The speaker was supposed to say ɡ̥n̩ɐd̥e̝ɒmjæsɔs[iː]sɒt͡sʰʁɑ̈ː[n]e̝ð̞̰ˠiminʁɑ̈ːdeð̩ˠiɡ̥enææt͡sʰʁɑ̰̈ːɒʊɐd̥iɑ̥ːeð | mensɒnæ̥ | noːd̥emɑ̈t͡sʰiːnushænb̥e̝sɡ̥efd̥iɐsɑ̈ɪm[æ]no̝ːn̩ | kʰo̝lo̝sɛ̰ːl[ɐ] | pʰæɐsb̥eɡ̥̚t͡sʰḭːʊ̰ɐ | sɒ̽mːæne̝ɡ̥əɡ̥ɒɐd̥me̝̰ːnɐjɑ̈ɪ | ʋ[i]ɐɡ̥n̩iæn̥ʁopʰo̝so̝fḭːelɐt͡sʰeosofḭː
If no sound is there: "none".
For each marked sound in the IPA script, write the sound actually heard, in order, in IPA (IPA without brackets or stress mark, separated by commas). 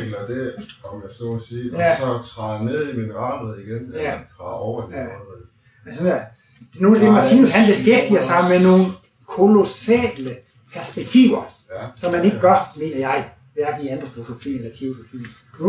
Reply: iː, n, e, ə, æ